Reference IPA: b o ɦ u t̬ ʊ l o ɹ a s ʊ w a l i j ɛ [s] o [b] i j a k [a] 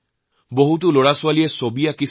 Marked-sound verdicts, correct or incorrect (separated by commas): correct, correct, incorrect